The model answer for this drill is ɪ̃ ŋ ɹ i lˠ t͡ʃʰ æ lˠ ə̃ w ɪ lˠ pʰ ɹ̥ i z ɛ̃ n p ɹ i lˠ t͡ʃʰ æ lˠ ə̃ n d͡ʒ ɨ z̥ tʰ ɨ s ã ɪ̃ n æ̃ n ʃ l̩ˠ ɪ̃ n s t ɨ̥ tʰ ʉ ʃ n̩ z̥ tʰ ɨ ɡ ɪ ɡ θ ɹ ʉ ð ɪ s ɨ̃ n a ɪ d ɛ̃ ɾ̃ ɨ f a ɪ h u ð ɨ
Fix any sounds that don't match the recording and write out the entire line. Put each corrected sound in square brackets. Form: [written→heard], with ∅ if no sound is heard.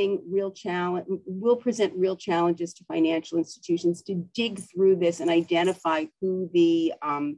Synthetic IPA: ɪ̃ ŋ ɹ i lˠ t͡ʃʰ æ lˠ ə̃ w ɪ lˠ pʰ ɹ̥ i z ɛ̃ n [p→ʔ] ɹ i lˠ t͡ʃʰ æ lˠ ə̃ n d͡ʒ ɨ z̥ tʰ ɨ [s→f] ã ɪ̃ n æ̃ n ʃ l̩ˠ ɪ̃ n s t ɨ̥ tʰ ʉ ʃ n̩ z̥ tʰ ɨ [ɡ→d] ɪ ɡ θ ɹ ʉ ð ɪ s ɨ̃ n a ɪ d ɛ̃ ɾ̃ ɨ f a ɪ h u ð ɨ